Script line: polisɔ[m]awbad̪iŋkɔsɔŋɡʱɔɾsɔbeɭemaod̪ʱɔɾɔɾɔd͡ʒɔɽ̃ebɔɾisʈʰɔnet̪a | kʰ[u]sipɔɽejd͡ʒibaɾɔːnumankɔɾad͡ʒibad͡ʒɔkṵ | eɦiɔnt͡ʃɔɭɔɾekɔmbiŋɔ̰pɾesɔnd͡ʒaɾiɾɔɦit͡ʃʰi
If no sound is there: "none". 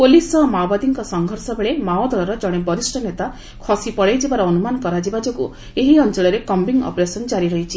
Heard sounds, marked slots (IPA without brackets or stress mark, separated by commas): m, ɔ